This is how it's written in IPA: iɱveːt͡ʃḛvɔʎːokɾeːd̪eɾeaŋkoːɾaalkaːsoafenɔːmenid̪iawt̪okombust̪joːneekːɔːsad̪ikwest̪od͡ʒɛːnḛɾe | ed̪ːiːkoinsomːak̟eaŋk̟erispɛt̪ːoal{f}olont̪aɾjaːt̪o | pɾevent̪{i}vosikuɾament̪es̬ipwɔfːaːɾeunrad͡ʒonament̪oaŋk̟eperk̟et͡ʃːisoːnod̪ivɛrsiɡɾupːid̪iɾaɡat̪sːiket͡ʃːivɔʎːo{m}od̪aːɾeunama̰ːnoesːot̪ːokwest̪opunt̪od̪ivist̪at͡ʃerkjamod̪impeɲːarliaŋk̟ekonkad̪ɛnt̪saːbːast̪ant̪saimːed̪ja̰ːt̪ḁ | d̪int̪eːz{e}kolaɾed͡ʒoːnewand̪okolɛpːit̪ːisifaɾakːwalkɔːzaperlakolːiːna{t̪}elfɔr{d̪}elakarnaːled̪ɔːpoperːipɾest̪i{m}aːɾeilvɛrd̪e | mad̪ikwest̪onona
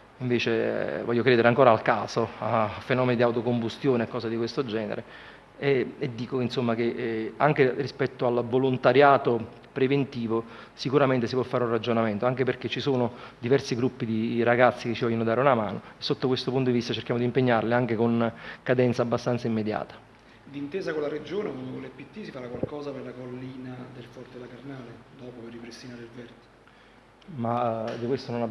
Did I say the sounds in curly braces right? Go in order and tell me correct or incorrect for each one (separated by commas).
incorrect, incorrect, incorrect, incorrect, incorrect, incorrect, incorrect